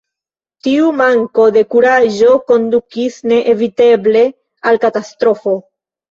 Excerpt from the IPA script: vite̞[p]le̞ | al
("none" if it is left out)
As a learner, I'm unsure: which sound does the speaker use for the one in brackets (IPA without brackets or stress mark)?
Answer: b